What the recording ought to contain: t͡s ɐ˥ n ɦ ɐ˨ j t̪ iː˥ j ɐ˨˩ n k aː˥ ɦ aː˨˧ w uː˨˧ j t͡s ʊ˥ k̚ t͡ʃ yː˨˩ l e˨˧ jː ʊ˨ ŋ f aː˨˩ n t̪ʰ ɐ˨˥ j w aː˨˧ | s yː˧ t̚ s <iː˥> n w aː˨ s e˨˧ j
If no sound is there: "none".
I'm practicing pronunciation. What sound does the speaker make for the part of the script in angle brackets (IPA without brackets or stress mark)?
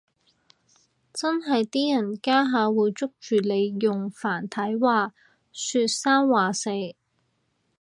aː˥